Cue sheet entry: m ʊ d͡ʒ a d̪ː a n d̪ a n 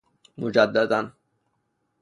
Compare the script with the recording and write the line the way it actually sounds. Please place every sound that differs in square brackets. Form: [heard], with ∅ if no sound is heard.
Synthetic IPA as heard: m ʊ d͡ʒ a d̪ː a [∅] d̪ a n